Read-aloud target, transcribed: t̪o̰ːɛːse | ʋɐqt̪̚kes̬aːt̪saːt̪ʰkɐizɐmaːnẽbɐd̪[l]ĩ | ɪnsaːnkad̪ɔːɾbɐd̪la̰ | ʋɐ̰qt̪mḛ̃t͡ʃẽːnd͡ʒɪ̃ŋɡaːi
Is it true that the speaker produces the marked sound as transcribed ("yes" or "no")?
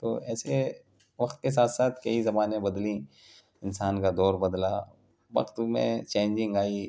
yes